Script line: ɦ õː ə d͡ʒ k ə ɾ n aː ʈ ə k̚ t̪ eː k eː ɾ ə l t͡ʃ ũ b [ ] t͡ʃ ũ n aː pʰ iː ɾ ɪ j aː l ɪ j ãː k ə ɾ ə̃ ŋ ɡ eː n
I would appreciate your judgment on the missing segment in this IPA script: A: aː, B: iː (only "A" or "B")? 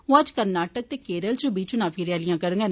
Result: B